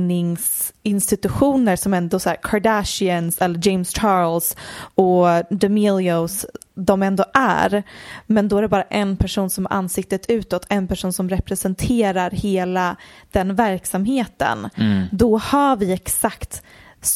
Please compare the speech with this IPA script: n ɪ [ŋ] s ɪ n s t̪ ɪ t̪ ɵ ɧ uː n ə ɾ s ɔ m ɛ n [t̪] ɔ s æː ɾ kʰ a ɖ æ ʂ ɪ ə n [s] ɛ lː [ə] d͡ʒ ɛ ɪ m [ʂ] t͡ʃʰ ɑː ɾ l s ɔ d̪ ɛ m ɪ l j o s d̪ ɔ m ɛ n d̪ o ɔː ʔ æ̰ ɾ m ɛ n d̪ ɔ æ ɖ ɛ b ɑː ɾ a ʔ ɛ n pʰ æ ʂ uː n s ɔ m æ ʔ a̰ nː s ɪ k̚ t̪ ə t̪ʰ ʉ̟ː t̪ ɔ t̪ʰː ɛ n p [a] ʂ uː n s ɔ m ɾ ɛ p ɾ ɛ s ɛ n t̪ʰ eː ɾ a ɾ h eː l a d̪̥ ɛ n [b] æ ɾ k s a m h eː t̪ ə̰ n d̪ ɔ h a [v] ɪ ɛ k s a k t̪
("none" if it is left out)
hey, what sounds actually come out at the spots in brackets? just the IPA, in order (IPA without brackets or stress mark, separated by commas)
ŋ, d̪, s, ə, s, æ, v, v